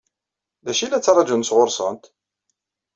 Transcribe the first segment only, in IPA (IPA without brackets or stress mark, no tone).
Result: ð